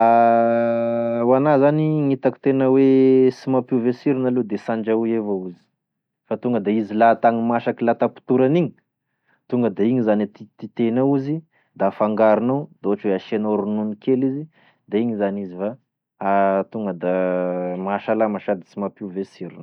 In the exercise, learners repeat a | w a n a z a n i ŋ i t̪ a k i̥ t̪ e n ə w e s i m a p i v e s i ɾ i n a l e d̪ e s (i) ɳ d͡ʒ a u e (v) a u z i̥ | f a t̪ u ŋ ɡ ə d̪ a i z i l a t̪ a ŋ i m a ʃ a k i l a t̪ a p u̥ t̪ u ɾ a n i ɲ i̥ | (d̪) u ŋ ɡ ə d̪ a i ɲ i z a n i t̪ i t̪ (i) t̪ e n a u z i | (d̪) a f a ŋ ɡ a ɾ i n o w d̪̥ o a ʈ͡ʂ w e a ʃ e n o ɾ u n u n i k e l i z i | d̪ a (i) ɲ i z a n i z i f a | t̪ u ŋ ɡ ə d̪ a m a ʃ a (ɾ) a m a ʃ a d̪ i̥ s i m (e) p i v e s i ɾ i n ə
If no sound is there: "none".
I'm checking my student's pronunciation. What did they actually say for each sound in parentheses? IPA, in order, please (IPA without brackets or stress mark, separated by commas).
a, v, t̪, i, d̪, i, l, a